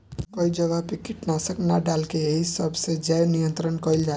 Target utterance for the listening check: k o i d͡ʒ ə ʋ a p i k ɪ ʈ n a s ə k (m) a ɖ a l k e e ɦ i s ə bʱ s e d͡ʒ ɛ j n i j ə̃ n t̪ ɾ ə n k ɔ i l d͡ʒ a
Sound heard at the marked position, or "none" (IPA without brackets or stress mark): n